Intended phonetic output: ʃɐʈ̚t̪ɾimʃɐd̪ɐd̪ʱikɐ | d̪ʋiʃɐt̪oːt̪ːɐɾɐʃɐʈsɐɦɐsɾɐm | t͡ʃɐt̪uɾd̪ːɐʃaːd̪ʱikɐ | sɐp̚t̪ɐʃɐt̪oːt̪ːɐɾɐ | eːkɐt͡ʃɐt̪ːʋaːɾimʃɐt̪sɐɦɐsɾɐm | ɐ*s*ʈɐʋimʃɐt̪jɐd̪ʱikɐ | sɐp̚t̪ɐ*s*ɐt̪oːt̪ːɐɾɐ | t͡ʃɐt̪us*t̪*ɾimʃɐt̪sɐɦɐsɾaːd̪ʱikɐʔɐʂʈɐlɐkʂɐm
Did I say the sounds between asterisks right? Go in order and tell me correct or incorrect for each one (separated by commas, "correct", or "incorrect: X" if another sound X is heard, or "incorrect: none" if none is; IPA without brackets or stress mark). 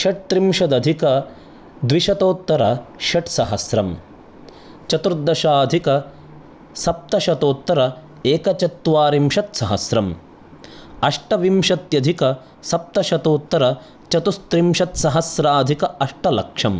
incorrect: ʂ, incorrect: ʃ, correct